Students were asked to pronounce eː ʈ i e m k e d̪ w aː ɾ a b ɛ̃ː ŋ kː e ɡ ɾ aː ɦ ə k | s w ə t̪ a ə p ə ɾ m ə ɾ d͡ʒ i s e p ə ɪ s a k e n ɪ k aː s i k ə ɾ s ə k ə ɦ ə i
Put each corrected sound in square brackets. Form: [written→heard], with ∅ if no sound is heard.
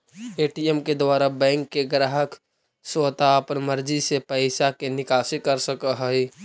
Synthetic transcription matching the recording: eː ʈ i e m k e d̪ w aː ɾ a b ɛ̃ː ŋ kː e ɡ ɾ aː ɦ ə k | s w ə t̪ a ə p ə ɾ m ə ɾ d͡ʒ i s e p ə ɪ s a k e n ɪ k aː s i k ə ɾ s ə k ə ɦ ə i